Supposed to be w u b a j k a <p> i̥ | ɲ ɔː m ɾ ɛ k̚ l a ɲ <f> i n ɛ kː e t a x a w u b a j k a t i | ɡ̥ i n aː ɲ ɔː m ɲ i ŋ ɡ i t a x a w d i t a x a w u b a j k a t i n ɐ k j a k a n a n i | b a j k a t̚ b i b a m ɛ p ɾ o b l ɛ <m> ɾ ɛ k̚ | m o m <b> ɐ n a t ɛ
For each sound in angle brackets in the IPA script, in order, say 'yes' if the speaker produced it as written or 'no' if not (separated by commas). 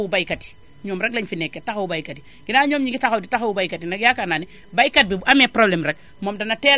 no, yes, yes, no